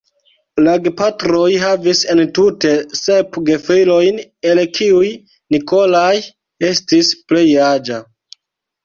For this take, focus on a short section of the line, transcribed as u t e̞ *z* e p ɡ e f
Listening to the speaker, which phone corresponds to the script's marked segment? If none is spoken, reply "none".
s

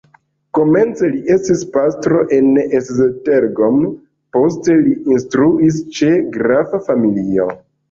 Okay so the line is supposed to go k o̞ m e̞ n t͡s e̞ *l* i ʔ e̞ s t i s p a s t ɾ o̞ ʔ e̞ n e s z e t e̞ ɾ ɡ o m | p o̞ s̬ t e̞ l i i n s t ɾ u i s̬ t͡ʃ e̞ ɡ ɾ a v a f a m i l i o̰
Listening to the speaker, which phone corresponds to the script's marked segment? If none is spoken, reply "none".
l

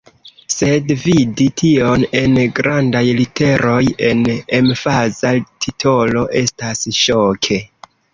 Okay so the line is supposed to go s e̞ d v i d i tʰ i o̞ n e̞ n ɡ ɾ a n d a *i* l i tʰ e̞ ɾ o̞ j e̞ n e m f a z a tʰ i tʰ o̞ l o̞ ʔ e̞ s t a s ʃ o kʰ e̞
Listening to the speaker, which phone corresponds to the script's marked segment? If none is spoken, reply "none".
j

